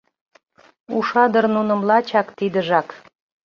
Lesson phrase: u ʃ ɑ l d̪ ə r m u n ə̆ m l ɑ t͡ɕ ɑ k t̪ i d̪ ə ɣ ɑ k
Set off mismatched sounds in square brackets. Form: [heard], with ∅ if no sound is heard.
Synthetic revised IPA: u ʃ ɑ [∅] d̪ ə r [n] u n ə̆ m l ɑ t͡ɕ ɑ k t̪ i d̪ ə [ʒ] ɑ k